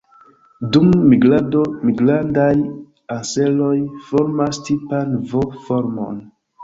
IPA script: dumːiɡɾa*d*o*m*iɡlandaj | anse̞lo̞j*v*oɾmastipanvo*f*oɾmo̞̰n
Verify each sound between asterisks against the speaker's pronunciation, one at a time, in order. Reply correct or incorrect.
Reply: correct, correct, incorrect: f, correct

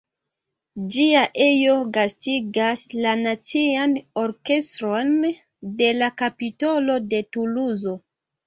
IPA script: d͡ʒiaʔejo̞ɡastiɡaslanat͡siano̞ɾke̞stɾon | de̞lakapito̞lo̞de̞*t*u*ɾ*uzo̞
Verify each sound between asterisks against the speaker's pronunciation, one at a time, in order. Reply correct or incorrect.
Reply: correct, incorrect: l

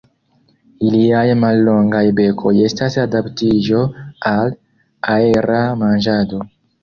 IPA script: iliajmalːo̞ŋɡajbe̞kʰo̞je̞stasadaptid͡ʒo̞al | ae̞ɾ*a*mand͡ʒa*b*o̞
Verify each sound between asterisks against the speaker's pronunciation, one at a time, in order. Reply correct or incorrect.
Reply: correct, incorrect: d

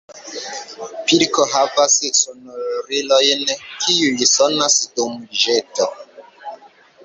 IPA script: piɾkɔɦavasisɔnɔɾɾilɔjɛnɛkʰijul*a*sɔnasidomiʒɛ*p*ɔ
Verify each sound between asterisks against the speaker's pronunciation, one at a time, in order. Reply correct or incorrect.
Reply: incorrect: i, incorrect: t

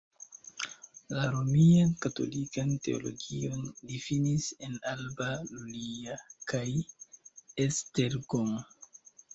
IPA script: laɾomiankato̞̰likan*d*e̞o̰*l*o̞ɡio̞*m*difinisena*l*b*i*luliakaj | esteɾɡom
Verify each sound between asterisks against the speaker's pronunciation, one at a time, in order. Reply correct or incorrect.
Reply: incorrect: t, correct, incorrect: n, correct, incorrect: a

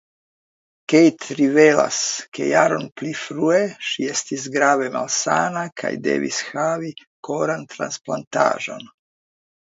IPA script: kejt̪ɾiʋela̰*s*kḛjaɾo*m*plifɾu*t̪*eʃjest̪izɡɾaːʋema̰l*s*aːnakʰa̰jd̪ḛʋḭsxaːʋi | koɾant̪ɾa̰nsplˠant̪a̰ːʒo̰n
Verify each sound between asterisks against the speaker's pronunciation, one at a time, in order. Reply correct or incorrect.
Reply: correct, incorrect: n, incorrect: none, correct

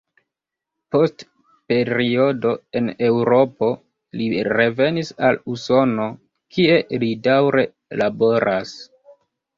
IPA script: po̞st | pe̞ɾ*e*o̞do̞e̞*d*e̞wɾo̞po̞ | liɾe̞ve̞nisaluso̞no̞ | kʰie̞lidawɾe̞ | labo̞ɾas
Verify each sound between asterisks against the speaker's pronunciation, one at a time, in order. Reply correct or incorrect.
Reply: incorrect: i, incorrect: n

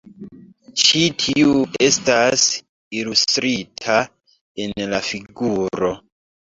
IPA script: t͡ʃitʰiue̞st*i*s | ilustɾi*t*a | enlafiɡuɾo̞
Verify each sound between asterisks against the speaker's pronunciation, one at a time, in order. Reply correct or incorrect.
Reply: incorrect: a, incorrect: tʰ

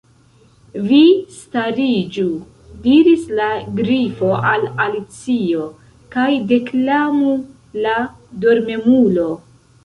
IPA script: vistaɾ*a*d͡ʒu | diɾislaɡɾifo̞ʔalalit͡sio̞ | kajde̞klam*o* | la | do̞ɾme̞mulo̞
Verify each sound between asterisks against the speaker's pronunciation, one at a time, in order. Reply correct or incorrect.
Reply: incorrect: i, incorrect: u

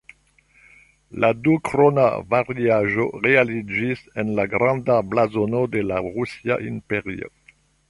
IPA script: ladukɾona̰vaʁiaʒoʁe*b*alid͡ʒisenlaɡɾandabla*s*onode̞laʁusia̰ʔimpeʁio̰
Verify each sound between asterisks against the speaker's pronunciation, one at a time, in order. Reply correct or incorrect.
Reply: incorrect: none, incorrect: z

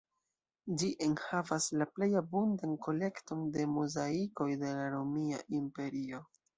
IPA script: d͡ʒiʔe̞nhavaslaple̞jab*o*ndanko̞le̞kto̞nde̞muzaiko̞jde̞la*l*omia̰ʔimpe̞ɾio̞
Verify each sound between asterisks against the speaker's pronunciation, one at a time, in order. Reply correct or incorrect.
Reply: incorrect: u, incorrect: ɾ

